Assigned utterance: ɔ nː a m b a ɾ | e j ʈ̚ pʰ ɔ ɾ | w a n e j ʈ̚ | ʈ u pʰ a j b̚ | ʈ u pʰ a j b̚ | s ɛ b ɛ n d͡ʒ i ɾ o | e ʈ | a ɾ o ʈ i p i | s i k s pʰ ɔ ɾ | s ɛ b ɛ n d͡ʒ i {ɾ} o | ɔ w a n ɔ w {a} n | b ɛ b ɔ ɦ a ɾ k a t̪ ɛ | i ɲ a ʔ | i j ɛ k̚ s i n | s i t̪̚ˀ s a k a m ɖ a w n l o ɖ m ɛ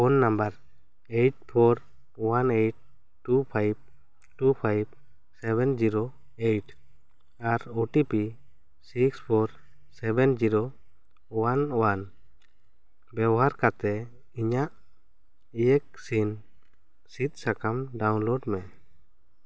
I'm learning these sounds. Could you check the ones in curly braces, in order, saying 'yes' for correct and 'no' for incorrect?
yes, yes

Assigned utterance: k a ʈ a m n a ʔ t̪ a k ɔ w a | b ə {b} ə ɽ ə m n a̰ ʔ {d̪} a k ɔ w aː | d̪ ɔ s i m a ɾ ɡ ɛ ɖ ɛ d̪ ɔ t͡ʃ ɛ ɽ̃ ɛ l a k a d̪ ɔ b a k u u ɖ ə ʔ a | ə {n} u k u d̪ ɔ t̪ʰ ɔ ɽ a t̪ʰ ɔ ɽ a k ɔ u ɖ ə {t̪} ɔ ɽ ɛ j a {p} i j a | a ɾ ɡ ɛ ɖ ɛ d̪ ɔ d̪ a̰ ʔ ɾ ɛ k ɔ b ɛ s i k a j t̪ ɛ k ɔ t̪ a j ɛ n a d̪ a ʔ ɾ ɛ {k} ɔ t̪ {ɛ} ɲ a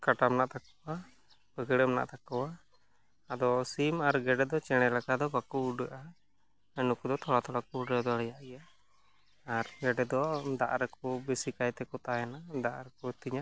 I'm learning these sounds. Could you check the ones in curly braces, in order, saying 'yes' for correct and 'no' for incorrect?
no, no, yes, no, no, yes, no

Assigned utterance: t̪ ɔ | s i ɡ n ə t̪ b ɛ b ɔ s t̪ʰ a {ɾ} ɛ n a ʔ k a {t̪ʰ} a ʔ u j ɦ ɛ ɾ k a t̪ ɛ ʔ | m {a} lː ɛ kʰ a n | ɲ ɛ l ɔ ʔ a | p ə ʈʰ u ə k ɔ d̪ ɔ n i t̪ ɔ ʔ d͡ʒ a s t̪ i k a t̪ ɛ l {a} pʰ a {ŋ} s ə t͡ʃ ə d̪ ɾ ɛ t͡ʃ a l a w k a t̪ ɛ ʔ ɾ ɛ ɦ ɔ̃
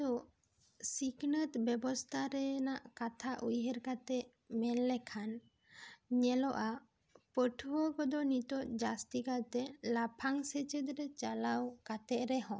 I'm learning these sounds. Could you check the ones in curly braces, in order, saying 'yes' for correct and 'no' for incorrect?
yes, yes, no, yes, yes

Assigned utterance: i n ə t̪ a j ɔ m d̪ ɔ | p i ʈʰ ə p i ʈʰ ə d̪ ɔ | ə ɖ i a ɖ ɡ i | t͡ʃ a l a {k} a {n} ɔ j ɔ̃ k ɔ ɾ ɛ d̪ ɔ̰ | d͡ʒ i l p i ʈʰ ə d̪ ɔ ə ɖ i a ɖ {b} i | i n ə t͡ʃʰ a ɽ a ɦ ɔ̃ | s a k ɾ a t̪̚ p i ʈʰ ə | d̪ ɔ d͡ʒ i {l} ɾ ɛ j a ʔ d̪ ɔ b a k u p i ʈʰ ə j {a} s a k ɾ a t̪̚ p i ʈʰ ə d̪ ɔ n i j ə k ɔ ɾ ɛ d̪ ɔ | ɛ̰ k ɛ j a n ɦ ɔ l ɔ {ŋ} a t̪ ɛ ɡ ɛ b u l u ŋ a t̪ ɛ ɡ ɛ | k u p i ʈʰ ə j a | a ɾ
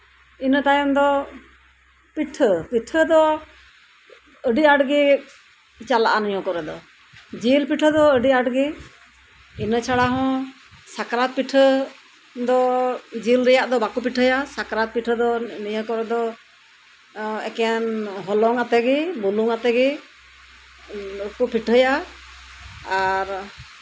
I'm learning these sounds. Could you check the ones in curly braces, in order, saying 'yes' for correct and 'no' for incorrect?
no, yes, no, yes, yes, yes

